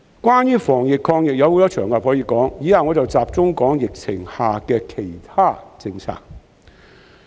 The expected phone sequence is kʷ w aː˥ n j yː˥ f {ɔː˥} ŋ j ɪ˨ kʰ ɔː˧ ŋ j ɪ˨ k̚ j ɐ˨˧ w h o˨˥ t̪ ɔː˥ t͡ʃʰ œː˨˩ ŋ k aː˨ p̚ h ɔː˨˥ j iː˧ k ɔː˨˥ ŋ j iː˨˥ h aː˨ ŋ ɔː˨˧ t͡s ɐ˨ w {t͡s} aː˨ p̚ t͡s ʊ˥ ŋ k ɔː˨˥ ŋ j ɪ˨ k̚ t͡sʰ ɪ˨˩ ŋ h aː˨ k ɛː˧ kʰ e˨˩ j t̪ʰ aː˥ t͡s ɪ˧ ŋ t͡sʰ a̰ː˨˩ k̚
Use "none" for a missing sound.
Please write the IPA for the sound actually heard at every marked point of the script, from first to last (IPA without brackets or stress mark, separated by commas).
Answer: ɔː˨˩, t͡s